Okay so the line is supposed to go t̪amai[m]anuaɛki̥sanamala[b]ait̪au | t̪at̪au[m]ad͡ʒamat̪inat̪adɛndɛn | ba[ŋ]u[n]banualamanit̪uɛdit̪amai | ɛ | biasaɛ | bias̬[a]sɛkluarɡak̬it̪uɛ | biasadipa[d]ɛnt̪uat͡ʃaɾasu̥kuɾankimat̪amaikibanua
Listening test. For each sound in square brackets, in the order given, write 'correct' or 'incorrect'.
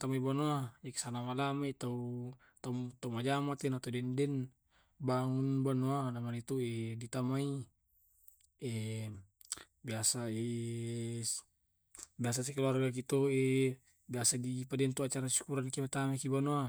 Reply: incorrect, incorrect, correct, correct, correct, correct, correct

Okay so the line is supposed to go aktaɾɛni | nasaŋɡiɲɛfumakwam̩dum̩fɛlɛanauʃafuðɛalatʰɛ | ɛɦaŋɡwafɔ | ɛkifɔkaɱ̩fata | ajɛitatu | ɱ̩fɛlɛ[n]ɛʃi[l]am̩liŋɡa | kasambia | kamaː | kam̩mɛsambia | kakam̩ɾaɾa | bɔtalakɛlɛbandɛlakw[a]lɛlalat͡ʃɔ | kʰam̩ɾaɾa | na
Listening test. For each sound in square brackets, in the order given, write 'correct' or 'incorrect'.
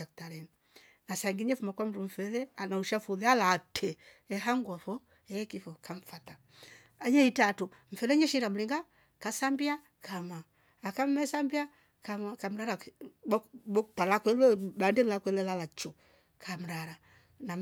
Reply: incorrect, incorrect, incorrect

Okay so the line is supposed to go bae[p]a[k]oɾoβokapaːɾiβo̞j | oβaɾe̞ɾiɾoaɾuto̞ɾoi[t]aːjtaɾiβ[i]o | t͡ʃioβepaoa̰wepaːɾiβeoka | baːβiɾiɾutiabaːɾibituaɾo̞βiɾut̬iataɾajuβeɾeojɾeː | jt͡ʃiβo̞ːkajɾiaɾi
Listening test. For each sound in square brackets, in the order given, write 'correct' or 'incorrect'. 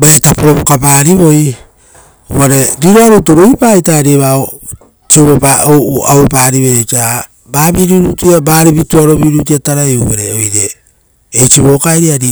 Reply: incorrect, incorrect, incorrect, incorrect

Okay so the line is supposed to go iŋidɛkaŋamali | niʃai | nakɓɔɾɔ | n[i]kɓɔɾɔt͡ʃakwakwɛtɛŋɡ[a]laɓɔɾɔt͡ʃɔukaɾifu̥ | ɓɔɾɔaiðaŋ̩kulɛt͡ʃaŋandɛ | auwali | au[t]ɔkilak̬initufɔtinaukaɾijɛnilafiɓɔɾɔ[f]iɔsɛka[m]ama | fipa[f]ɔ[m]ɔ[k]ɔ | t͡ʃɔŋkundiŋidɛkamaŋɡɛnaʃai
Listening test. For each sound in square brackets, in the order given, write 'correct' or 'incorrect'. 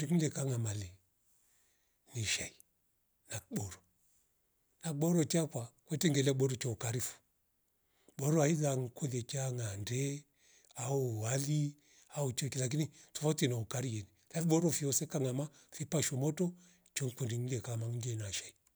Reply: incorrect, incorrect, incorrect, correct, incorrect, incorrect, correct, incorrect

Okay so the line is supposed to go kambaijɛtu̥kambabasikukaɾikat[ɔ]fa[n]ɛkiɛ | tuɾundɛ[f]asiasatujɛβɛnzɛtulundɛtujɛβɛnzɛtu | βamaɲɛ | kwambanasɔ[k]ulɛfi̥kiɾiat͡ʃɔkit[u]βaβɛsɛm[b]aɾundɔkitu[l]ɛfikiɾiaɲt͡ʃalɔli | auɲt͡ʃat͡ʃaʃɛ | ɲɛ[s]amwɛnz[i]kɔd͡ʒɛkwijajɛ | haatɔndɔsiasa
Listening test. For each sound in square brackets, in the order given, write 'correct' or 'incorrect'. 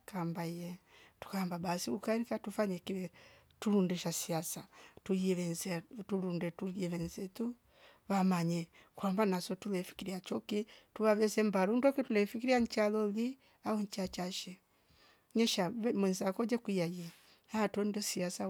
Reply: incorrect, incorrect, incorrect, incorrect, correct, correct, correct, incorrect, incorrect

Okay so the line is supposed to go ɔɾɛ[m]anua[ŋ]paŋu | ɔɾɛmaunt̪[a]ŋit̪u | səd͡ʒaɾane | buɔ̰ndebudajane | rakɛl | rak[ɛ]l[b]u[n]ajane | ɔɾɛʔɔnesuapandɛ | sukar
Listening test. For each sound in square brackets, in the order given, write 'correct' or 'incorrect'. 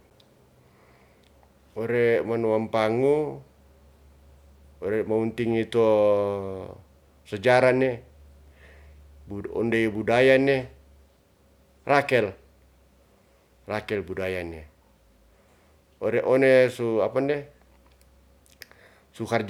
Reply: correct, incorrect, incorrect, correct, correct, incorrect

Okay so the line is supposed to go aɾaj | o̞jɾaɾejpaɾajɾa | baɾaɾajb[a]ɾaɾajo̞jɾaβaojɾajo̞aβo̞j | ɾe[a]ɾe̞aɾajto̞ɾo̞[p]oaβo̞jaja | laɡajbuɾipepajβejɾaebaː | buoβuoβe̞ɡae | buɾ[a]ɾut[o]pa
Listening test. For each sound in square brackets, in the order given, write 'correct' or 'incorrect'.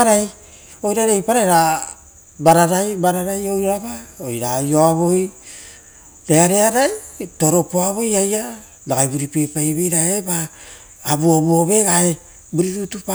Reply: correct, correct, correct, incorrect, incorrect

